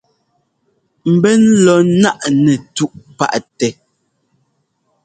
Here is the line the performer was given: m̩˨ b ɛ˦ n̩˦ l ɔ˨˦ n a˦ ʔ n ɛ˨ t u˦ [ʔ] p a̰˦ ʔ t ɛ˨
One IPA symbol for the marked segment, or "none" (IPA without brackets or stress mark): ʔ